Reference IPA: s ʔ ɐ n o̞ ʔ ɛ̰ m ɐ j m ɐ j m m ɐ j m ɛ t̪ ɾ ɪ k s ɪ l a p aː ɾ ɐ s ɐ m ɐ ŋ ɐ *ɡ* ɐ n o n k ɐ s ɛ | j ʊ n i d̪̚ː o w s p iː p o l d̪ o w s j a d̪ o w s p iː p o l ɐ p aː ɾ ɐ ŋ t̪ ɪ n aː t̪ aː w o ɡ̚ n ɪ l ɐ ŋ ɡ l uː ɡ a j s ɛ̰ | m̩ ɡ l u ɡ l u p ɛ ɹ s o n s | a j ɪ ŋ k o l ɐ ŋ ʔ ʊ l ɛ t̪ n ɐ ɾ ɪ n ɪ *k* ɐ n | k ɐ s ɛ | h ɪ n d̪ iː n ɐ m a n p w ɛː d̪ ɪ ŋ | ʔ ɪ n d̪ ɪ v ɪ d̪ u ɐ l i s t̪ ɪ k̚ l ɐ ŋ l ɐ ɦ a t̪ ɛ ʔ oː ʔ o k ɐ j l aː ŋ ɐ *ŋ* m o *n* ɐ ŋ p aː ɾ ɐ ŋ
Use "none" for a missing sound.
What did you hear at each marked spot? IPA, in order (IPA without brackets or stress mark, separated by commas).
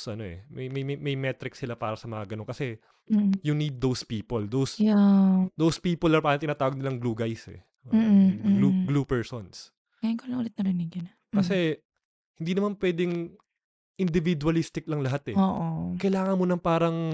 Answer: ɡ, ɡ, n, n